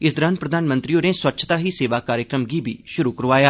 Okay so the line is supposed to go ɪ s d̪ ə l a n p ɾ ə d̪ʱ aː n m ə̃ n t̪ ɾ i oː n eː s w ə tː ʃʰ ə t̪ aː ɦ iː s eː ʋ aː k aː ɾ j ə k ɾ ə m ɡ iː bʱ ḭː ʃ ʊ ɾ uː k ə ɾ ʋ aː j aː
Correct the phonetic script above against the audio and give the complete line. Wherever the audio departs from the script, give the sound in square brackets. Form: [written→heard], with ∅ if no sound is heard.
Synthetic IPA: ɪ s d̪ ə [l→ɾ] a n p ɾ ə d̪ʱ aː n m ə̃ n t̪ ɾ i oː n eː s w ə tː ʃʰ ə t̪ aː ɦ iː s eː ʋ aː k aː ɾ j ə k ɾ ə m ɡ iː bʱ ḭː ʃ ʊ ɾ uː k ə ɾ ʋ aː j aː